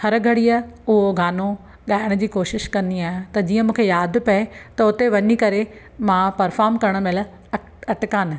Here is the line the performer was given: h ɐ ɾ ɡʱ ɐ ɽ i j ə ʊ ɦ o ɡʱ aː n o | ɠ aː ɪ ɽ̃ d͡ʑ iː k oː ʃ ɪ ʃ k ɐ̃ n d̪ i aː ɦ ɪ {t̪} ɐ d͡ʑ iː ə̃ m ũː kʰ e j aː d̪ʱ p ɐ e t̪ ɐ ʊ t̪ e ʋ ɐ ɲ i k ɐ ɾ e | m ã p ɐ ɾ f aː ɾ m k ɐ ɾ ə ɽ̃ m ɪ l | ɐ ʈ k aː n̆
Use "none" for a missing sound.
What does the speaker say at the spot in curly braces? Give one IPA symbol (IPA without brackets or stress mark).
t̪